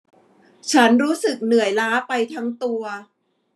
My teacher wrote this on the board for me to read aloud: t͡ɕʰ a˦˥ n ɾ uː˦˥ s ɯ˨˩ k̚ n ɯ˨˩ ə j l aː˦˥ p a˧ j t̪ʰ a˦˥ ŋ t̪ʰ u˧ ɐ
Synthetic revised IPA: t͡ɕʰ a˦˥ n ɾ uː˦˥ s ɯ˨˩ k̚ n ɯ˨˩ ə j l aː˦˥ p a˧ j t̪ʰ a˦˥ ŋ t̪ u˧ ɐ